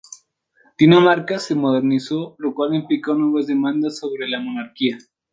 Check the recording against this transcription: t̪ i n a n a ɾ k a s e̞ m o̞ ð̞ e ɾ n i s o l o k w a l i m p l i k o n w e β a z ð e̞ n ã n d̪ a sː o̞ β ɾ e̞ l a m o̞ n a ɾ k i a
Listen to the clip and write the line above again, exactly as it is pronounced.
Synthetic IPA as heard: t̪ i n a m a ɾ k a s e̞ m o̞ ð̞ e ɾ n i s o l o k w a l i m p l i k o n w e β a z ð e̞ m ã n d̪ a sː o̞ β ɾ e̞ l a m o̞ n a ɾ k i a

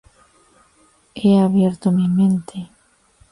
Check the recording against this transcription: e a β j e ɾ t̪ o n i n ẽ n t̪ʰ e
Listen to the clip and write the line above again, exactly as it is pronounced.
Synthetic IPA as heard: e a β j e ɾ t̪ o m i m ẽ n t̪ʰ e

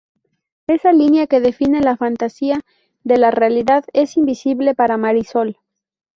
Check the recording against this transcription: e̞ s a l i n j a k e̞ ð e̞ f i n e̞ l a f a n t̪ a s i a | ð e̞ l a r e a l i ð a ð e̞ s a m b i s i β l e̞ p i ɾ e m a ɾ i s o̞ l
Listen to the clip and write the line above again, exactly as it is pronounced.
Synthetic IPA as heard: e̞ s a l i n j a k e̞ ð e̞ f i n e̞ l a f a n t̪ a s i a | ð e̞ l a r e a l i ð a ð e̞ s i m b i s i β l e̞ p a ɾ a m a ɾ i s o̞ l

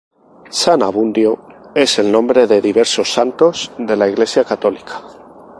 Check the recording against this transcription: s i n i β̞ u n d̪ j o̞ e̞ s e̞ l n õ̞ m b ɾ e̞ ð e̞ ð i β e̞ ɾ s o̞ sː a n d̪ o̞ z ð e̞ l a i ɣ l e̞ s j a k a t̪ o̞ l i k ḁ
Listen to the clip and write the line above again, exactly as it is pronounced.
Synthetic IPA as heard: s a n a β̞ u n d̪ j o̞ e̞ s e̞ l n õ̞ m b ɾ e̞ ð e̞ ð i β e̞ ɾ s o̞ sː a n t̪ o̞ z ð e̞ l a i ɣ l e̞ s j a k a t̪ o̞ l i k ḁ

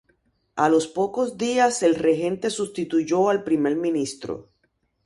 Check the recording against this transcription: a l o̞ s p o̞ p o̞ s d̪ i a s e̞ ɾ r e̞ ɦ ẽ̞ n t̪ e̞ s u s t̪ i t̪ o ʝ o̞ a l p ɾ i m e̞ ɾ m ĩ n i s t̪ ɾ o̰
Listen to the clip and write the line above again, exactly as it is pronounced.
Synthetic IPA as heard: a l o̞ s p o̞ k o̞ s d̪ i a s e̞ l r e̞ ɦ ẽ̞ n t̪ e̞ s u s t̪ i t̪ u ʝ o̞ a l p ɾ i m e̞ ɾ m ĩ n i s t̪ ɾ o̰

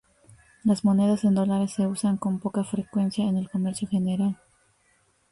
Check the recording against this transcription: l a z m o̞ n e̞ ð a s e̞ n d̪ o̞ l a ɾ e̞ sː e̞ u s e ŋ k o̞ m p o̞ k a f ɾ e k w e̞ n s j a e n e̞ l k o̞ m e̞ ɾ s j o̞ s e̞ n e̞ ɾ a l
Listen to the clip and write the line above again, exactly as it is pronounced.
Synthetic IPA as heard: l a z m o̞ n e̞ ð a s e̞ n d̪ o̞ l a ɾ e̞ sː e̞ u s a ŋ k o̞ m p o̞ k a f ɾ e k w e̞ n s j a e n e̞ l k o̞ m e̞ ɾ s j o̞ x e̞ n e̞ ɾ a l

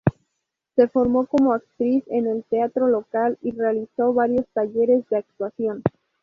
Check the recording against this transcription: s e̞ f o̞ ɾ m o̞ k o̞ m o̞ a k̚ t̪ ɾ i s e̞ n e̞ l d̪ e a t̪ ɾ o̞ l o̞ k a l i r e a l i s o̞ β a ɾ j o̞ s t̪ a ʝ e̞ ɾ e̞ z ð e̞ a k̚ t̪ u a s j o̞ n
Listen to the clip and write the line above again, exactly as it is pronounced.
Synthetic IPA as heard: s e̞ f o̞ ɾ m o̞ k o̞ m o̞ a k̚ t̪ ɾ i s e̞ n e̞ l t̪ e a t̪ ɾ o̞ l o̞ k a l i r e a l i s o̞ β a ɾ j o̞ s t̪ a ʝ e̞ ɾ e̞ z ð e̞ a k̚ t̪ w a s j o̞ n

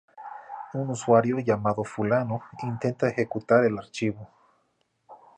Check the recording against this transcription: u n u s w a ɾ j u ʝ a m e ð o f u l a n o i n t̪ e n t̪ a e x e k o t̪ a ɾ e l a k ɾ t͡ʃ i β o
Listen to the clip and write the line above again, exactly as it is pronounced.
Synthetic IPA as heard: u n u s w a ɾ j o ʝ a m a ð o f u l a n o i n t̪ e n t̪ a e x e k u t̪ a ɾ e l a ɾ t͡ʃ i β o

